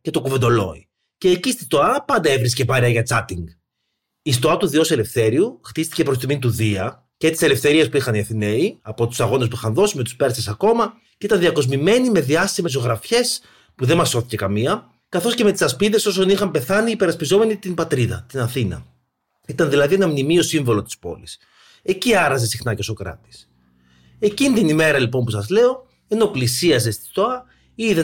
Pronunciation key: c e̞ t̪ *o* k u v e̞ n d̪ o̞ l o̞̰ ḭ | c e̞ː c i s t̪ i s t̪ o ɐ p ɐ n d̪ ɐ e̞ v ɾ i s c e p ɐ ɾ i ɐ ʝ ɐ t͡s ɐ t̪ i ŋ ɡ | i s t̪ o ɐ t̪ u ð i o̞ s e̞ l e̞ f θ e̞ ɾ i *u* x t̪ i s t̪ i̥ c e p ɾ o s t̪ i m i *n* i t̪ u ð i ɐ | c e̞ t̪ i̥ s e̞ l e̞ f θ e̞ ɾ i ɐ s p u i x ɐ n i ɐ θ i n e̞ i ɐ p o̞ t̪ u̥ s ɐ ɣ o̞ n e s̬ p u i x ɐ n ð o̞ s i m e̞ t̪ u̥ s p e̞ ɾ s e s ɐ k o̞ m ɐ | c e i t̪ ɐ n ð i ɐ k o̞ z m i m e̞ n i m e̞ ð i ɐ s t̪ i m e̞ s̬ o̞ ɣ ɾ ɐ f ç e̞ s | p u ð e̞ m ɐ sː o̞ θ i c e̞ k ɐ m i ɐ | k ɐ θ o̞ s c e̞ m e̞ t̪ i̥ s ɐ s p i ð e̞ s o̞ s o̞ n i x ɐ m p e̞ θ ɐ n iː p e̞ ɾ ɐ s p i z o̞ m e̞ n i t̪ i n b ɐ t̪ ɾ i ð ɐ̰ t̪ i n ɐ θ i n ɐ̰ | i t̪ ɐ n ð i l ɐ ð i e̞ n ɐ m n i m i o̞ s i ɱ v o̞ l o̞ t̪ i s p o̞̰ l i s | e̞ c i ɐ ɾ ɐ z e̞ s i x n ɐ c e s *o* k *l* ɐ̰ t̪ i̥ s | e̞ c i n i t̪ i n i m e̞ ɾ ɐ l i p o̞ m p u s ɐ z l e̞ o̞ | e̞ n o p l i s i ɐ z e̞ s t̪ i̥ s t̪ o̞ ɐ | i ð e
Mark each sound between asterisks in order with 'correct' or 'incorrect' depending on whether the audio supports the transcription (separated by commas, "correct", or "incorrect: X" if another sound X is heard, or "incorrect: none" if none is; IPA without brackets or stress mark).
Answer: correct, correct, correct, correct, incorrect: ɾ